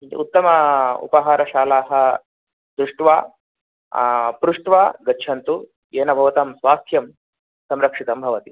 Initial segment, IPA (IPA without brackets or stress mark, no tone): u